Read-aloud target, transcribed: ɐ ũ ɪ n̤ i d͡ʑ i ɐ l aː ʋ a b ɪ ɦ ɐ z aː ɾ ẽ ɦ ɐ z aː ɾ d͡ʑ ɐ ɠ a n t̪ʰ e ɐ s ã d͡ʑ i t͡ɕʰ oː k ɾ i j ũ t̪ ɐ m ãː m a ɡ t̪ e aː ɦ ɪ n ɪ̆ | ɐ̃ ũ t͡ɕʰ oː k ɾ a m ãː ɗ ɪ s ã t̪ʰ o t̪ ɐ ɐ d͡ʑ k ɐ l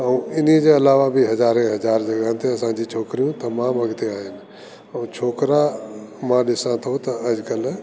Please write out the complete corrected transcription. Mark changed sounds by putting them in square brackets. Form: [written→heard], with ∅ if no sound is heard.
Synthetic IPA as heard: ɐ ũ ɪ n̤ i d͡ʑ [i→e] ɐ l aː ʋ a b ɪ ɦ ɐ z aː ɾ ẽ ɦ ɐ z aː ɾ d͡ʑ ɐ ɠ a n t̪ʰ e ɐ s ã d͡ʑ i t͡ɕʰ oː k ɾ i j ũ t̪ ɐ m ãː m [a→ɐ] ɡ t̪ e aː ɦ ɪ n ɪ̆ | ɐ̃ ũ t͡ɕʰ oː k ɾ a m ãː ɗ ɪ s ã t̪ʰ o t̪ ɐ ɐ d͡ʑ k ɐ l